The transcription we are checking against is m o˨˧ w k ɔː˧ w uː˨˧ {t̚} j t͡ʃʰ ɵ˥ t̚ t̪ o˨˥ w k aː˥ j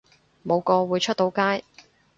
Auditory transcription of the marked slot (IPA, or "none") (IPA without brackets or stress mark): none